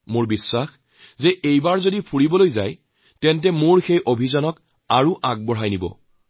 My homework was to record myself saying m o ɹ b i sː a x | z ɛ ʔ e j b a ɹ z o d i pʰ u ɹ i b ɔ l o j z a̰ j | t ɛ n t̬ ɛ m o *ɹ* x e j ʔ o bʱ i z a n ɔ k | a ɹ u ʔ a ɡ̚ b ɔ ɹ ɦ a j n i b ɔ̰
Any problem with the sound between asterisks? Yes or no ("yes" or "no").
no